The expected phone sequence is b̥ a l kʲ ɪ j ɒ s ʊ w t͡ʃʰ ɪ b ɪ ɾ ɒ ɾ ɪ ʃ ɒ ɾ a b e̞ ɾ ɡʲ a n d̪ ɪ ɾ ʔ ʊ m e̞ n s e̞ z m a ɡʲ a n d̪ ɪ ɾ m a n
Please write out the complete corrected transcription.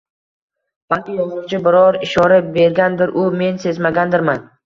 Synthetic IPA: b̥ a l kʲ ɪ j ɒ z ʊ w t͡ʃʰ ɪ b ɪ ɾ ɒ ɾ ɪ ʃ ɒ ɾ a b e̞ ɾ ɡʲ a n d̪ ɪ ɾ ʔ ʊ m e̞ n s e̞ z m a ɡʲ a n d̪ ɪ ɾ m a n